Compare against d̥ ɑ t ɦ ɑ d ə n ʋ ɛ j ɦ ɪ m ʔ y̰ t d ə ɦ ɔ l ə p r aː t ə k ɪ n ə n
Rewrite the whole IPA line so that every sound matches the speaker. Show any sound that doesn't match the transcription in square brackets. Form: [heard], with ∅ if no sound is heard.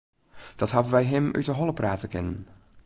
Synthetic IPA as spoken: d̥ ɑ t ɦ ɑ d ə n ʋ ɛ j ɦ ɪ m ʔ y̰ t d ə ɦ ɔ l ə p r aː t ə k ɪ n ə n